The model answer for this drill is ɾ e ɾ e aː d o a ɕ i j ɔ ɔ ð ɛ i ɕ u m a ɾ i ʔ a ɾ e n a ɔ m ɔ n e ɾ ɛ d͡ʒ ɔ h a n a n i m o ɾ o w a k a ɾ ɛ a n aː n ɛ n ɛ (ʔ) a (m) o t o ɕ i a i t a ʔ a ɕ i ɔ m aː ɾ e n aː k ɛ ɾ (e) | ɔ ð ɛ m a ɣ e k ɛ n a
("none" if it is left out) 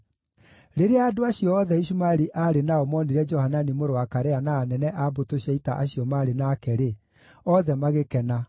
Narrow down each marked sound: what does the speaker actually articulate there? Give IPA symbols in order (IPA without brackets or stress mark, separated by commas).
ʔ, b, e